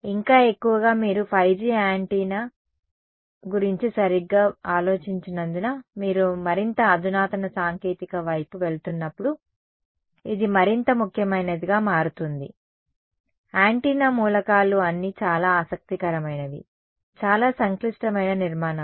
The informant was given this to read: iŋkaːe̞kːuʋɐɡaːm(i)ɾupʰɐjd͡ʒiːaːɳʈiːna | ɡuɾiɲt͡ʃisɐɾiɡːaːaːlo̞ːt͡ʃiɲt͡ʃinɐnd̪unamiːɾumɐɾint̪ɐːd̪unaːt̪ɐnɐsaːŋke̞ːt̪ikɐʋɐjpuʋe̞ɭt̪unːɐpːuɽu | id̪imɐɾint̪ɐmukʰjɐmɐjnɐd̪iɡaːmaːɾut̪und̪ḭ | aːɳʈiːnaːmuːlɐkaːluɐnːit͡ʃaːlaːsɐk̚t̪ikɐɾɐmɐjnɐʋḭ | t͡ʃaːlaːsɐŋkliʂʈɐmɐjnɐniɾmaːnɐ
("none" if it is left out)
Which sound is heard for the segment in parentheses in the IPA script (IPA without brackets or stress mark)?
iː